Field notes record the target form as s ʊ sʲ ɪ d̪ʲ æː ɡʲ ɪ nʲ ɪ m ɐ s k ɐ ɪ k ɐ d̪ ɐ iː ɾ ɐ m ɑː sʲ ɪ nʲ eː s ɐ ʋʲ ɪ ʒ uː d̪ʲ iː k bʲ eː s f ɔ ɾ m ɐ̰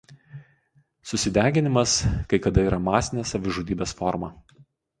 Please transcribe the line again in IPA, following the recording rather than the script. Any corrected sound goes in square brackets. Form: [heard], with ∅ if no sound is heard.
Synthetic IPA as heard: s ʊ sʲ ɪ d̪ʲ æː ɡʲ ɪ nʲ ɪ m ɐ s k ɐ ɪ k ɐ d̪ ɐ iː ɾ ɐ m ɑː sʲ ɪ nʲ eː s ɐ ʋʲ ɪ ʒ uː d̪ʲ iː [∅] bʲ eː s f ɔ ɾ m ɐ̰